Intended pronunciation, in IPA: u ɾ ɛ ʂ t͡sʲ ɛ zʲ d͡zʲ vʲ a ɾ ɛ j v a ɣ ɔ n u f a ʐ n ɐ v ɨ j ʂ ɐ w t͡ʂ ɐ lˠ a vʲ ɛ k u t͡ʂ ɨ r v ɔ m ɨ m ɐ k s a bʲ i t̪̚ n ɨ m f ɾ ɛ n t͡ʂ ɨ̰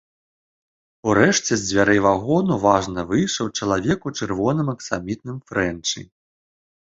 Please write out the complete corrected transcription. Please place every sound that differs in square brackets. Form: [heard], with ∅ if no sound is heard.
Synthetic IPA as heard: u ɾ ɛ ʂ t͡sʲ ɛ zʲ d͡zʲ vʲ a ɾ ɛ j v a ɣ ɔ n u [v] a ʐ n ɐ v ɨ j ʂ ɐ w t͡ʂ ɐ lˠ a vʲ ɛ k u t͡ʂ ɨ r v ɔ [n] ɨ m ɐ k s a [mʲ] i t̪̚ n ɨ m f ɾ ɛ n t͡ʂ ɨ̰